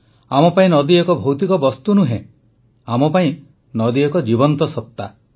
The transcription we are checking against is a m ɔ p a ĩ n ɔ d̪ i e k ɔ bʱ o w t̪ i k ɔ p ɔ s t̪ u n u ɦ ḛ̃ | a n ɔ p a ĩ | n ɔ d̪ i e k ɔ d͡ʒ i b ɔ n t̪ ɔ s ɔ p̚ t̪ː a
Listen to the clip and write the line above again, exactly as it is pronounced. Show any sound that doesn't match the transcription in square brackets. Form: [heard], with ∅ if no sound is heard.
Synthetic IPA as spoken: a m ɔ p a ĩ n ɔ d̪ i e k ɔ bʱ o w t̪ i k ɔ [b] ɔ s t̪ u n u ɦ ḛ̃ | a [m] ɔ p a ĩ | n ɔ d̪ i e k ɔ d͡ʒ i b ɔ n t̪ ɔ s ɔ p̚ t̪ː a

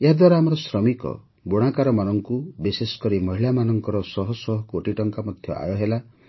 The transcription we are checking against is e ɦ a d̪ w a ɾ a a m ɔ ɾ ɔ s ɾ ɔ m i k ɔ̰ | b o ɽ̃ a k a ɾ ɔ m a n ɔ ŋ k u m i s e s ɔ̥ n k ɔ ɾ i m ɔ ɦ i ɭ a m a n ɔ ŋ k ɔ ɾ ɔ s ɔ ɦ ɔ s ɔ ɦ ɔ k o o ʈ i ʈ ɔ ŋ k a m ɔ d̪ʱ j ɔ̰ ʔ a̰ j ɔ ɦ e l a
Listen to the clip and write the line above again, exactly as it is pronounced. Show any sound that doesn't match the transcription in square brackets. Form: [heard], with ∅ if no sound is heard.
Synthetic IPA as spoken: e ɦ a d̪ w a ɾ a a m ɔ ɾ ɔ s ɾ ɔ m i k ɔ̰ | b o ɽ̃ a k a ɾ ɔ m a n ɔ ŋ k u [b] i s e s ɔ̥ [∅] k ɔ ɾ i m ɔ ɦ i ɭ a m a n ɔ ŋ k ɔ ɾ ɔ s ɔ ɦ ɔ s ɔ ɦ ɔ k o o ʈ i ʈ ɔ ŋ k a m ɔ d̪ʱ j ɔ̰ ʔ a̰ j ɔ ɦ e l a

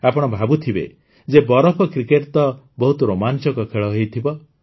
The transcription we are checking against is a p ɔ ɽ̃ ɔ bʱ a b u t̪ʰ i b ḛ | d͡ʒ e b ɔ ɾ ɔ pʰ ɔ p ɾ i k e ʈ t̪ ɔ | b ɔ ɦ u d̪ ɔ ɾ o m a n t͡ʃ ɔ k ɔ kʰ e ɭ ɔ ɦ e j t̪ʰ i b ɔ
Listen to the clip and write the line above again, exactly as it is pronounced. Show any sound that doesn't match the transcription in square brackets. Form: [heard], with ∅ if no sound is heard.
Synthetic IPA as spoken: a p ɔ ɽ̃ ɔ bʱ a b u t̪ʰ i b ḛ | d͡ʒ e b ɔ ɾ ɔ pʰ ɔ [k] ɾ i k e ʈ t̪ ɔ | b ɔ ɦ u [t̪] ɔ ɾ o m a n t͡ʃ ɔ k ɔ kʰ e ɭ ɔ ɦ e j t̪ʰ i b ɔ

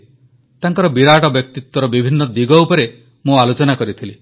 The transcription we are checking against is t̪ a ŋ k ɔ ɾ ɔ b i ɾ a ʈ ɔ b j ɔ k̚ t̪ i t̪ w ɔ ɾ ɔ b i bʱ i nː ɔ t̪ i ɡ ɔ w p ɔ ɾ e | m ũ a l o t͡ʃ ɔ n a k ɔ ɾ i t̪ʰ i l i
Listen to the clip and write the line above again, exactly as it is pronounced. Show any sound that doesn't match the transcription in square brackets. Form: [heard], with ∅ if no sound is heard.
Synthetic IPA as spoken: t̪ a ŋ k ɔ ɾ ɔ b i ɾ a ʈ ɔ b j ɔ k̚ t̪ i t̪ w ɔ ɾ ɔ b i bʱ i nː ɔ [d̪] i ɡ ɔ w p ɔ ɾ e | m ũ a l o t͡ʃ ɔ n a k ɔ ɾ i t̪ʰ i l i

